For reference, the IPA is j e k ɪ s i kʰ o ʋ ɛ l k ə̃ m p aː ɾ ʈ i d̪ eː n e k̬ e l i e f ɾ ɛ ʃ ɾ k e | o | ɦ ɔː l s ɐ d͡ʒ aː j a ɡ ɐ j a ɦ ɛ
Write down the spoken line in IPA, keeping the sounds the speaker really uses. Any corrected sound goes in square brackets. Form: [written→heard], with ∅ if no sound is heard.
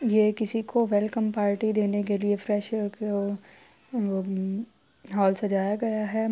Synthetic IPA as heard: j e k ɪ s i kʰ o ʋ ɛ l k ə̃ m p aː ɾ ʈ i d̪ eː n e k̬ e l i e f ɾ ɛ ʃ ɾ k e | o | ɦ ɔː l s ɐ d͡ʒ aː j a ɡ ɐ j a ɦ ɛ